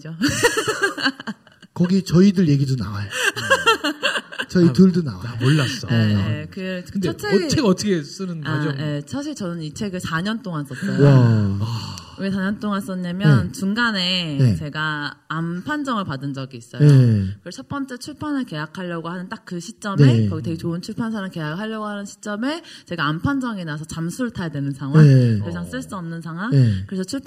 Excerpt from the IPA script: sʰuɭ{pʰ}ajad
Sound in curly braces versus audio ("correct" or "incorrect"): incorrect